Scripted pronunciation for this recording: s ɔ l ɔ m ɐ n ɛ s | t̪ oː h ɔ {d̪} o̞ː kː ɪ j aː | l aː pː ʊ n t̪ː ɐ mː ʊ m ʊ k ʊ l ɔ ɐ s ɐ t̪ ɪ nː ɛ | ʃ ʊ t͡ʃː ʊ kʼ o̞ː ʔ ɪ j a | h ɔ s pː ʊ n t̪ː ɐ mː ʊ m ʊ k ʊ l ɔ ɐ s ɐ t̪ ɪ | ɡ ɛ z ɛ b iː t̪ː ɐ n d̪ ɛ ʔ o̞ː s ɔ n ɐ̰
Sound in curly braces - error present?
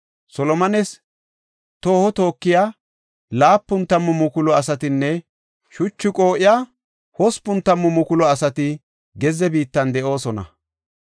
yes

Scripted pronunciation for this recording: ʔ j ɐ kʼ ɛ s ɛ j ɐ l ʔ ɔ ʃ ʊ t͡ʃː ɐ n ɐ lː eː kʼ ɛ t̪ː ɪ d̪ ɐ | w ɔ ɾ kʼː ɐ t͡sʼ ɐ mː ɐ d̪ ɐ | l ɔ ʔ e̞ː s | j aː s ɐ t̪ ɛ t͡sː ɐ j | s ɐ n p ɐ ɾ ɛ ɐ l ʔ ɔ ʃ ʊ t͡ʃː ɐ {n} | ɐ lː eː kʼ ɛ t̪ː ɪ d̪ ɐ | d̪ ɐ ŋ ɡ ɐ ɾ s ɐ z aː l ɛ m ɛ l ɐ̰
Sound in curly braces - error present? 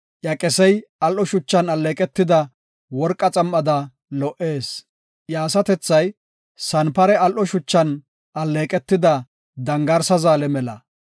no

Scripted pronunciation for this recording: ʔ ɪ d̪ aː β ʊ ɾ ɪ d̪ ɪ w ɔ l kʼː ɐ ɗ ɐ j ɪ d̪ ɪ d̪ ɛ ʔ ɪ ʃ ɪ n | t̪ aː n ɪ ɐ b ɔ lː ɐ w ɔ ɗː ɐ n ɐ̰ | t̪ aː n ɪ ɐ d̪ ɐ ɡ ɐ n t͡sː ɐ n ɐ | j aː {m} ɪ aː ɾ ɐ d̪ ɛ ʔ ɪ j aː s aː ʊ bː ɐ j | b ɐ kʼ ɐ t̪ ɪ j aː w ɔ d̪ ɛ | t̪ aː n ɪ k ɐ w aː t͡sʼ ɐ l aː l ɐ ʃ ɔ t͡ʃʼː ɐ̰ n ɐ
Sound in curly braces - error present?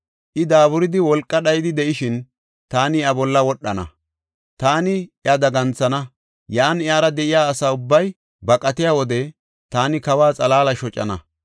yes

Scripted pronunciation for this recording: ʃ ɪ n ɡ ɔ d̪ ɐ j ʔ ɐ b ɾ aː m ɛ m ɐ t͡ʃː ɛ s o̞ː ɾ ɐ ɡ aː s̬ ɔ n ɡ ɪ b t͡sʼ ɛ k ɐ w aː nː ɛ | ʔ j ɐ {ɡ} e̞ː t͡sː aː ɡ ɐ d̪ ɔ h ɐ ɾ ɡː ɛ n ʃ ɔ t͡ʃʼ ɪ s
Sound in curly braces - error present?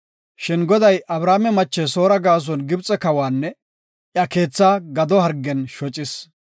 yes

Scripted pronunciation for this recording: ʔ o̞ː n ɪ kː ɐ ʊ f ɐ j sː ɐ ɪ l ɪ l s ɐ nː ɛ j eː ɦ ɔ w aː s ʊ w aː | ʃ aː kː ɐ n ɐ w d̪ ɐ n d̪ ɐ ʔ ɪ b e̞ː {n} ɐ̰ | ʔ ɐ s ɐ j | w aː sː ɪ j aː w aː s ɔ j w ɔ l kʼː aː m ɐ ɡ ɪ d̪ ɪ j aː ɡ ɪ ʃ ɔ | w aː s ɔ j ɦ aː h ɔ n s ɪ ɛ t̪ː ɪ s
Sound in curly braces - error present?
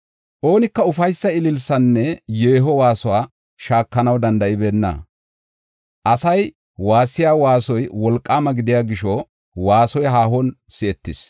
yes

